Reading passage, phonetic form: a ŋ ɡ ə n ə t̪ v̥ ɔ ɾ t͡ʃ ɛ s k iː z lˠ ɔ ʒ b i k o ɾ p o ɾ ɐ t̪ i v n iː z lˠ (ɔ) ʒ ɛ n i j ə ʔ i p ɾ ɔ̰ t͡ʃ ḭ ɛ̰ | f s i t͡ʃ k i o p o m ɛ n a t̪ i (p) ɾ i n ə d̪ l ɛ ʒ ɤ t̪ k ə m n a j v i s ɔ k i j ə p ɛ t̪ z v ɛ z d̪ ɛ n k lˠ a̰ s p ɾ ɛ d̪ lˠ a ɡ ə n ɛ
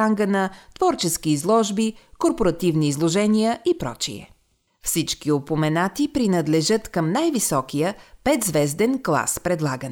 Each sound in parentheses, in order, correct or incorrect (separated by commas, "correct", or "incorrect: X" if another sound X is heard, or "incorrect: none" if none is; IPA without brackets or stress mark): incorrect: o, correct